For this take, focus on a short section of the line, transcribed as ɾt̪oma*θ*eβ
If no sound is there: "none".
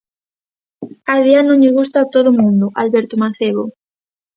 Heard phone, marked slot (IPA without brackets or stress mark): θ